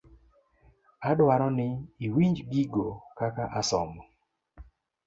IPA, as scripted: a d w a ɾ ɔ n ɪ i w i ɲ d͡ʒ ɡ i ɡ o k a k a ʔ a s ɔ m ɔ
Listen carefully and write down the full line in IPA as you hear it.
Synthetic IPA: a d w a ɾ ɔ n ɪ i w i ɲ d͡ʒ ɡ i ɡ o k a k a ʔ a s ɔ m ɔ